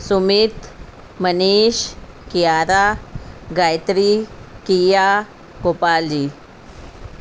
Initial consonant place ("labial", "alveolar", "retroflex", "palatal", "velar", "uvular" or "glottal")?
alveolar